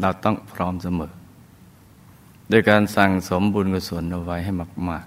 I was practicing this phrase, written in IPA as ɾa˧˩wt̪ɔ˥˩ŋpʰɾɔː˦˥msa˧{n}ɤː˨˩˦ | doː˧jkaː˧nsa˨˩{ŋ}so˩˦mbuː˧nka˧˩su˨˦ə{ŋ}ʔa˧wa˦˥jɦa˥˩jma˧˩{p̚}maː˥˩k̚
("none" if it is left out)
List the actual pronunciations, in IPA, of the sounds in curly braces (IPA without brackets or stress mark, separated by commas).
m, ŋ, n, k̚